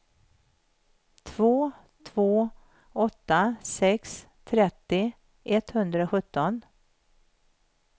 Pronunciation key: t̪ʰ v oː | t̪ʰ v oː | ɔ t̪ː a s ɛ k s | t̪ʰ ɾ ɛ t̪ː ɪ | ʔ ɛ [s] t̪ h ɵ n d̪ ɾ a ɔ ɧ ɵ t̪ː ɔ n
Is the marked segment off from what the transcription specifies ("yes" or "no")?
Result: yes